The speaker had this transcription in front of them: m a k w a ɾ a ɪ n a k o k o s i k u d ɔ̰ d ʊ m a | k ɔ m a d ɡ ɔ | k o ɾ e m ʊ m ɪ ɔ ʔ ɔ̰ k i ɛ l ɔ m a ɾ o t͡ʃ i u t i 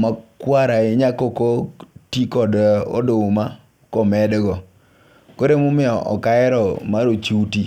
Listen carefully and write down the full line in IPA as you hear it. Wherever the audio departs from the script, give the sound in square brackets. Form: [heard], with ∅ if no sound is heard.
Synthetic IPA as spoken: m a k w a ɾ a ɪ [ɲ] a k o k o [t] i k [ɔ] d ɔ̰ d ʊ m a | k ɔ m [ɛ] d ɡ ɔ | k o ɾ e m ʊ m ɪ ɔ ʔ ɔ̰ k [a] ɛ [ɾ] ɔ m a ɾ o t͡ʃ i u t i